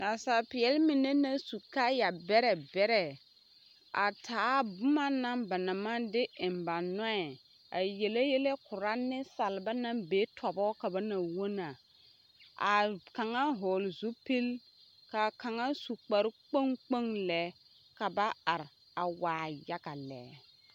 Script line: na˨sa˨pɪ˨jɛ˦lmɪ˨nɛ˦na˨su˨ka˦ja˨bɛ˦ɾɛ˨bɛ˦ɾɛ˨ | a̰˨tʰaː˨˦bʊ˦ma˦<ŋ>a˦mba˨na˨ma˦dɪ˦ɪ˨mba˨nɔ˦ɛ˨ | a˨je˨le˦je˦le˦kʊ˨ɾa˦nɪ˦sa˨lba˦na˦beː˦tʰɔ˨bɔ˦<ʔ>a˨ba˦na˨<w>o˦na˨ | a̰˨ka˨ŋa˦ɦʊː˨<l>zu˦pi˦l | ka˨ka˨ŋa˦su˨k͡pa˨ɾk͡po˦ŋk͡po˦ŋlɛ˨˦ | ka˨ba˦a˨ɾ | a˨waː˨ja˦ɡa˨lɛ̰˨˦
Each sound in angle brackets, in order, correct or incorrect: incorrect: n, incorrect: k, correct, correct

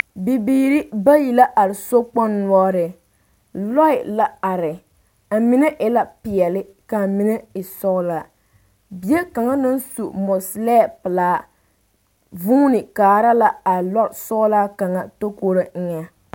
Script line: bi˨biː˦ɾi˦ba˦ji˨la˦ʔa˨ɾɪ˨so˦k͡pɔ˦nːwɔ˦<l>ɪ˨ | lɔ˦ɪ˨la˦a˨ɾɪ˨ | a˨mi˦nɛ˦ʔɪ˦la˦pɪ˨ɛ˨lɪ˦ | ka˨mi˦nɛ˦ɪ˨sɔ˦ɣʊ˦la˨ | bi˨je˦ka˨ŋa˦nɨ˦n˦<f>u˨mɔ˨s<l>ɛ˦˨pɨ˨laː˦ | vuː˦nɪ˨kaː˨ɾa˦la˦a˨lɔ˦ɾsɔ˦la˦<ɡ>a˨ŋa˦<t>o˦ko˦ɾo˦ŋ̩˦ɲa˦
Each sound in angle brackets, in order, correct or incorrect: incorrect: ɾ, incorrect: s, correct, incorrect: k, correct

